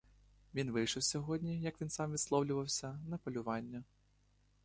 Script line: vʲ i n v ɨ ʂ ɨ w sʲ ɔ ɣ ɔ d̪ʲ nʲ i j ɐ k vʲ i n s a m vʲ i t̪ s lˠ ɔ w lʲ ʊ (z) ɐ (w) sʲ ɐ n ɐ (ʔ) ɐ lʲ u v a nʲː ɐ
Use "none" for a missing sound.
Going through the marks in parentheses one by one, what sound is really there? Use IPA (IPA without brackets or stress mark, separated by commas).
v, w, p